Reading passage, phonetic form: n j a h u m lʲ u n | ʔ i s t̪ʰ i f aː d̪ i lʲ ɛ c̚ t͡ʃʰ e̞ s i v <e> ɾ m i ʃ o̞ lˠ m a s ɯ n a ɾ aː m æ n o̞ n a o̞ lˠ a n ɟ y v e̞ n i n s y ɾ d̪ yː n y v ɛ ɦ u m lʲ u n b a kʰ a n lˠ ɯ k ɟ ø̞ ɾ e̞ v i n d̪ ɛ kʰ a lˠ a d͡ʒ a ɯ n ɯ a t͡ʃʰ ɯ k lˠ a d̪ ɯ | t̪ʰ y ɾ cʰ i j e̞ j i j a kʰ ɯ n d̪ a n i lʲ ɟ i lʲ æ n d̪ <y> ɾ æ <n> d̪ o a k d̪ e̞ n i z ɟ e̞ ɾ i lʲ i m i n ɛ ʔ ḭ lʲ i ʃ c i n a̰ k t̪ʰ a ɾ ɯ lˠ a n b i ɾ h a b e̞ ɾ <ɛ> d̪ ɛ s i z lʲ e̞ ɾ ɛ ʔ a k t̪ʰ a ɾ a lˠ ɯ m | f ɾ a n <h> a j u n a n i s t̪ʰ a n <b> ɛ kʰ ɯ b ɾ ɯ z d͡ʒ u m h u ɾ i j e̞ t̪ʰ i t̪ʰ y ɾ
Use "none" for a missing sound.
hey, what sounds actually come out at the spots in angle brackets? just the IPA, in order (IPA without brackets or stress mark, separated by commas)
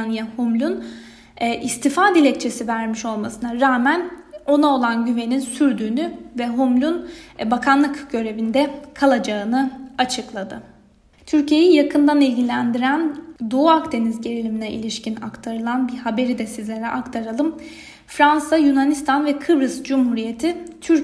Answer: æ, i, n, i, s, v